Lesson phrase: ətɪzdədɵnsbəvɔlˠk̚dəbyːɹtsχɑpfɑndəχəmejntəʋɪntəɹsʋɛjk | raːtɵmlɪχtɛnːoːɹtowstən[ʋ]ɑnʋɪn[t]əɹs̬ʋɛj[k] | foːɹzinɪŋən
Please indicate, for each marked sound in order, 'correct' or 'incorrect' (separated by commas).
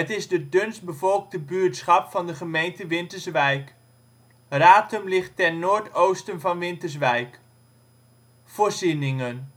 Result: incorrect, correct, correct